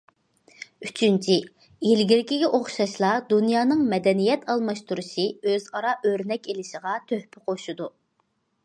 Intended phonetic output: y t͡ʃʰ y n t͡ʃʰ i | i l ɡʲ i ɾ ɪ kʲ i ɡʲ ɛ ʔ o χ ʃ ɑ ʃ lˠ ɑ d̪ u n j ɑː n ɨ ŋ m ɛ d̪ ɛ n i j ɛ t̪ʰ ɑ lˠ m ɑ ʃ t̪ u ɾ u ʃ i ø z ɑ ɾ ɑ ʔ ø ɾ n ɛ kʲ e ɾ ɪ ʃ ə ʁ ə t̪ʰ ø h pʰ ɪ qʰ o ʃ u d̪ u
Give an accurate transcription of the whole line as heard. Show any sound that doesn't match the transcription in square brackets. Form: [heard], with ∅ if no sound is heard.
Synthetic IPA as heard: y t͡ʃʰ y n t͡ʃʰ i | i l ɡʲ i ɾ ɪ kʲ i ɡʲ ɛ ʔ o χ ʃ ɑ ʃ lˠ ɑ d̪ u n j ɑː n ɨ ŋ m ɛ d̪ ɛ n i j ɛ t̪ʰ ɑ lˠ m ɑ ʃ t̪ u ɾ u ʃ i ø z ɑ ɾ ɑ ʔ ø ɾ n ɛ kʲ e [l] ɪ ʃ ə ʁ [ɑ] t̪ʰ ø h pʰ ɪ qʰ o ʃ u d̪ u